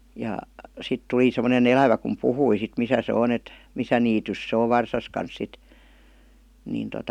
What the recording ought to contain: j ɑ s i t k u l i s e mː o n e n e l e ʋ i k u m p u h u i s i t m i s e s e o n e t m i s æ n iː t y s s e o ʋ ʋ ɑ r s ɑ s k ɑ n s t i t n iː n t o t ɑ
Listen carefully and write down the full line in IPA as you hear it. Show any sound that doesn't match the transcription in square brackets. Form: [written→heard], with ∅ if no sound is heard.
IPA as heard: j ɑ s i t [k→t] u l i s e mː o n e n e l [e→æ] ʋ [i→æ] k u m p u h u i s i t m i s [e→æ] s e o n e t m i s æ n iː t y s s e o ʋ ʋ ɑ r s ɑ s k ɑ n s [t→s] i t n iː n t o t ɑ